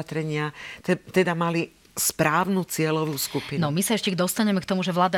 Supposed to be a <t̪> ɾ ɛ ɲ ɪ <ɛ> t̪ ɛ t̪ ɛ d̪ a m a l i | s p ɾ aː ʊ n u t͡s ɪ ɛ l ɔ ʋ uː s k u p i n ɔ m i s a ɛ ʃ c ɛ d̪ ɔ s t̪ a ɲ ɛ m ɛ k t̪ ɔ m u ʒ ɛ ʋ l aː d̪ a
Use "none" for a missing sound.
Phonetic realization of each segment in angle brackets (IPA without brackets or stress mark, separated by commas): t̪, a